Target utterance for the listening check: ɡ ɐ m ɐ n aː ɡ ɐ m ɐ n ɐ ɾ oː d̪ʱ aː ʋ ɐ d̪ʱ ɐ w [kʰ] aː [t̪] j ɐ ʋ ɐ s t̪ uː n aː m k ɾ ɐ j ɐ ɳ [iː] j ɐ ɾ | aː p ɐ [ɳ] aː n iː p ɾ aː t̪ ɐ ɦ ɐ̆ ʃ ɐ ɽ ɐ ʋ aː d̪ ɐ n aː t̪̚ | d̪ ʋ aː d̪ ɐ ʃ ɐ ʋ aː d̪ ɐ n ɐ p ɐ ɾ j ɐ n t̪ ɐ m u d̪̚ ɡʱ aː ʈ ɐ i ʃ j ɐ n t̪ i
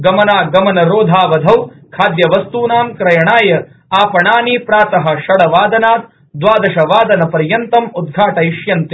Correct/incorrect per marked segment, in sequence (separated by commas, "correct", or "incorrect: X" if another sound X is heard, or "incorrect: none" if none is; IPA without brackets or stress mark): correct, incorrect: d̪, incorrect: aː, correct